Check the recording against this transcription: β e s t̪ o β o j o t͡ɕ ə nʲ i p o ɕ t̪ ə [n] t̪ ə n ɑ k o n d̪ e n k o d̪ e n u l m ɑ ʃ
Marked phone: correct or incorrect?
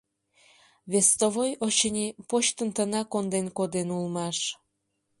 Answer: correct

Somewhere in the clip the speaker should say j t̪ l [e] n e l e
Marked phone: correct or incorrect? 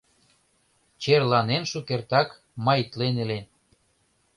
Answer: correct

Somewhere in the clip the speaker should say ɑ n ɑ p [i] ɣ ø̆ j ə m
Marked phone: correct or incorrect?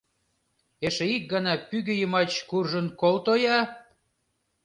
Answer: incorrect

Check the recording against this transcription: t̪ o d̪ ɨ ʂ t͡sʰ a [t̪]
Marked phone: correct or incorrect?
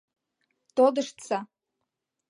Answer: incorrect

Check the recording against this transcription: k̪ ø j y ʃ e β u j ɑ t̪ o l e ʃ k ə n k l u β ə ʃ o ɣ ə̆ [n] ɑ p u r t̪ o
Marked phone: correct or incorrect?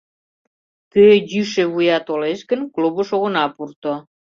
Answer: correct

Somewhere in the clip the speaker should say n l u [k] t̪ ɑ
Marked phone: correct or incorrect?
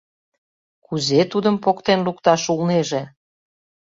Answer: correct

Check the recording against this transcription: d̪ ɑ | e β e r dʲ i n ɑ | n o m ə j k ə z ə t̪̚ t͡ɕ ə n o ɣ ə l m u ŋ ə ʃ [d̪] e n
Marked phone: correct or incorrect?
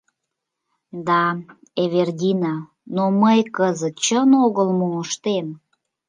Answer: incorrect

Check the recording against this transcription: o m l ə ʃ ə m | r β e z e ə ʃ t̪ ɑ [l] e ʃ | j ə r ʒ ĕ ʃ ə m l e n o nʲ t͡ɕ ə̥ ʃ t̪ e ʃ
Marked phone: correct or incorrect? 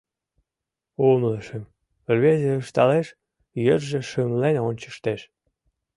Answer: correct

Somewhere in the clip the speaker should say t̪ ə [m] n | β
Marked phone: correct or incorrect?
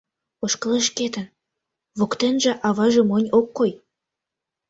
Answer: incorrect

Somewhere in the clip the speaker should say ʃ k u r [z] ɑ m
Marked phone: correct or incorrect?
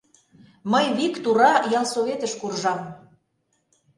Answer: incorrect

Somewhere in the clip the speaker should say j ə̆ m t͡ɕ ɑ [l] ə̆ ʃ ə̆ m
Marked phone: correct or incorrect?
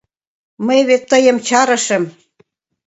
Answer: incorrect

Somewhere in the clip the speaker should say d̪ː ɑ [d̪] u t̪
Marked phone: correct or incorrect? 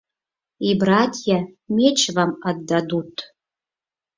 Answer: correct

